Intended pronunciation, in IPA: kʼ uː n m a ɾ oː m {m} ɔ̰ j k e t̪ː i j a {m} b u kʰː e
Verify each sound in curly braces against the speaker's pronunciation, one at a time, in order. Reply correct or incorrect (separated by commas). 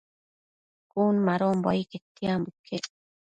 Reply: incorrect, correct